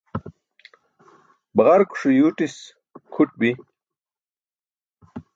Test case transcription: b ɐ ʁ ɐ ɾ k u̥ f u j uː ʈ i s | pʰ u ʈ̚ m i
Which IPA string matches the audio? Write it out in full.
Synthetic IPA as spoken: b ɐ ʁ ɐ ɾ k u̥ ʂ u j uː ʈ i s | kʰ u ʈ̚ b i